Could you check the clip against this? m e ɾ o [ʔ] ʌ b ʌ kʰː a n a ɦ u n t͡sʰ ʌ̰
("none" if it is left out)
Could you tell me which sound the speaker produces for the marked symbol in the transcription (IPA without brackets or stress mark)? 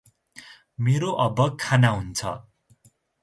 ʔ